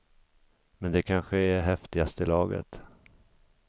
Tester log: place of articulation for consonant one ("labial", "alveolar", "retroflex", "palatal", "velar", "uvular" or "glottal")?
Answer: labial